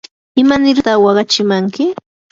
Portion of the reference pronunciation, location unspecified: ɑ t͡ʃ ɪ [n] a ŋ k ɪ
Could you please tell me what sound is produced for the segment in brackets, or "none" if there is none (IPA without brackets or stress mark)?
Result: m